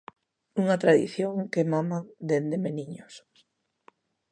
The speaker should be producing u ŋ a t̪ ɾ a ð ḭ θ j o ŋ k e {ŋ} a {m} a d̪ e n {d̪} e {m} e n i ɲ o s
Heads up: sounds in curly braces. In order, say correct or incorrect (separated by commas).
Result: incorrect, correct, correct, correct